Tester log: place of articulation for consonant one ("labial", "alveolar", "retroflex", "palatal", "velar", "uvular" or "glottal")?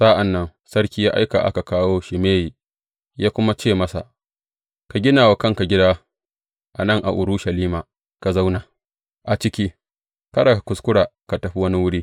alveolar